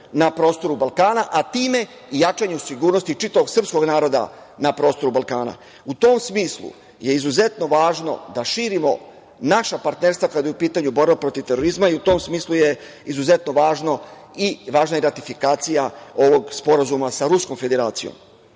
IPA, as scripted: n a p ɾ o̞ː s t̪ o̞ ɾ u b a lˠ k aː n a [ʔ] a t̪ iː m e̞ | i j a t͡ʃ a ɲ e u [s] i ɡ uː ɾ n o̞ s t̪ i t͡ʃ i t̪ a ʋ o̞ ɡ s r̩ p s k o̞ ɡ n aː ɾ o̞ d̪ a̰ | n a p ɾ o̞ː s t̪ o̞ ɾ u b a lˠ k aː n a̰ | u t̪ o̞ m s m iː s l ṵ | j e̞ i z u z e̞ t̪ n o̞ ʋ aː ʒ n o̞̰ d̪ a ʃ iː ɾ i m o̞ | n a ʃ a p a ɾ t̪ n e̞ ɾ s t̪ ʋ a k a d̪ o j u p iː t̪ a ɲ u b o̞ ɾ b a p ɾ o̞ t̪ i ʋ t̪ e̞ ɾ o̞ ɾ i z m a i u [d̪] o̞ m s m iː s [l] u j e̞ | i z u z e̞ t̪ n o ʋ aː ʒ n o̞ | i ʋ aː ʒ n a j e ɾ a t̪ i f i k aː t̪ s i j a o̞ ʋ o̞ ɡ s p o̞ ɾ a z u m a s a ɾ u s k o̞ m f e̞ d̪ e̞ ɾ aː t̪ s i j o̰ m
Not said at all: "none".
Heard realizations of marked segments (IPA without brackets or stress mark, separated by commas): ʔ, s, t̪, l